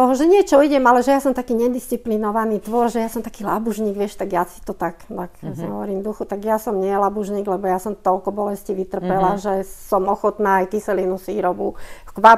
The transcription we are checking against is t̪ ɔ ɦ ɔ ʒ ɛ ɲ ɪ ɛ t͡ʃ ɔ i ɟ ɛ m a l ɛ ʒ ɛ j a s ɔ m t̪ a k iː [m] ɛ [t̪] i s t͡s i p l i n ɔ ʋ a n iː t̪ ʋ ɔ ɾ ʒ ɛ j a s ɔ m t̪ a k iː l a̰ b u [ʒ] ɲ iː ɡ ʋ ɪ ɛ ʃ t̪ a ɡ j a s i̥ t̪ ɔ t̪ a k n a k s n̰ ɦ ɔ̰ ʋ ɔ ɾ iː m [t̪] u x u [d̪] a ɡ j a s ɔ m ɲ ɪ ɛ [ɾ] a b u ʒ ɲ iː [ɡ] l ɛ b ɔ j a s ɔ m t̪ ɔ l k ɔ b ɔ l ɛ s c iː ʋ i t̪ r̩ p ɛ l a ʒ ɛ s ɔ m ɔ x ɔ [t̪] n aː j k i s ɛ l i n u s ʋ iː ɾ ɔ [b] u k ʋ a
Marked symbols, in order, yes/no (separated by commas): no, no, yes, no, no, no, yes, yes, yes